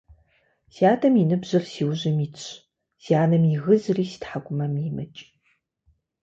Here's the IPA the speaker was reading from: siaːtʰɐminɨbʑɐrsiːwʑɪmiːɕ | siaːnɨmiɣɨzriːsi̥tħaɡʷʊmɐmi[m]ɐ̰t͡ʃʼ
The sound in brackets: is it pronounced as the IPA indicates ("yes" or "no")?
yes